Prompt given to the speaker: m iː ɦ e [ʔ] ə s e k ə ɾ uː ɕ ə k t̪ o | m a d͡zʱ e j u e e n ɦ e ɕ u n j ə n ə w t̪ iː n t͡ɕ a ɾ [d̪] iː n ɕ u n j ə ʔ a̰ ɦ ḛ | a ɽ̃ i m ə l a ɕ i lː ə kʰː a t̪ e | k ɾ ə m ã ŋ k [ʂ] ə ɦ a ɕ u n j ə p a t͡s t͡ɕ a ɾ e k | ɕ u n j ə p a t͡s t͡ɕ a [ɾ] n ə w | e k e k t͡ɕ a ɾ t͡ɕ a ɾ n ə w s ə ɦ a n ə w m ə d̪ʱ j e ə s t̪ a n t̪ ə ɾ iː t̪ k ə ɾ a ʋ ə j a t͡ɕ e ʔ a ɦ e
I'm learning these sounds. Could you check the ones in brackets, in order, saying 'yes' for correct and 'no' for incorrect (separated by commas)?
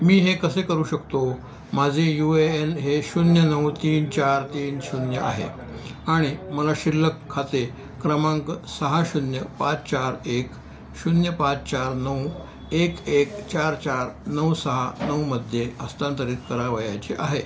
no, no, no, yes